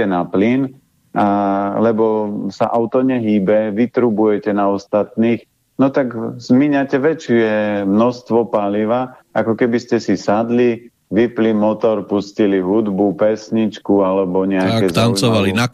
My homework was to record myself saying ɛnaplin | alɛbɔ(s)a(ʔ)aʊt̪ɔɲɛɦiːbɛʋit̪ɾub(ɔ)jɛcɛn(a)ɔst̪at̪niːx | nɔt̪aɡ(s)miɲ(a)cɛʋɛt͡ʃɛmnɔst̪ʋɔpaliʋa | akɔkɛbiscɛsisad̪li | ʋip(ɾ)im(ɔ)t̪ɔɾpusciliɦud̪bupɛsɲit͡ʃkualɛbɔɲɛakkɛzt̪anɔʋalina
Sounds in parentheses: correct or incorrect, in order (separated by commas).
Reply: correct, correct, incorrect, correct, incorrect, correct, incorrect, correct